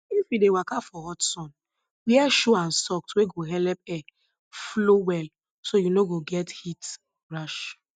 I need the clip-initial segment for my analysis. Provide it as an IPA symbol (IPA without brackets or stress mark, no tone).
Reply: i